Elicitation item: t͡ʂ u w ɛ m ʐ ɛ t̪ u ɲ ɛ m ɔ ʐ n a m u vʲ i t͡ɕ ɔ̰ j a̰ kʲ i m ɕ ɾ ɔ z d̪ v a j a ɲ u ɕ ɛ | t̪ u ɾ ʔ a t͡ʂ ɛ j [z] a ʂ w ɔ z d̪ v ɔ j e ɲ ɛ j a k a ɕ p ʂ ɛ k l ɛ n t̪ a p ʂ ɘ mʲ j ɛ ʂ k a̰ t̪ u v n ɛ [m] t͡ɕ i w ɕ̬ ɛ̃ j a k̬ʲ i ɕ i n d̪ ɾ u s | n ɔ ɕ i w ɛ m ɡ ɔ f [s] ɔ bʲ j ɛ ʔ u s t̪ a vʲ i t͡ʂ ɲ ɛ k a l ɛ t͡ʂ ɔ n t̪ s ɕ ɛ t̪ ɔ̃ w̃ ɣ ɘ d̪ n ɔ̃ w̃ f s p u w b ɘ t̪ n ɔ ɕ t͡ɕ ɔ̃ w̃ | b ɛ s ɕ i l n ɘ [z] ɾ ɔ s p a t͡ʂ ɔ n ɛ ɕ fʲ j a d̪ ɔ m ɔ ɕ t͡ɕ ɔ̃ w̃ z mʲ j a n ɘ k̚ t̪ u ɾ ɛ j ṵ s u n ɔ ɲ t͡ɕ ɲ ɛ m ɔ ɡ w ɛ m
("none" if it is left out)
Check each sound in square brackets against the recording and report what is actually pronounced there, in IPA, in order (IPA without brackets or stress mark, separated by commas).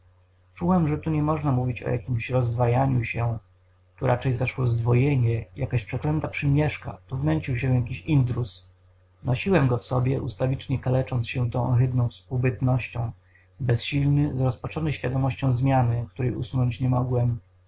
z, ɲ, s, z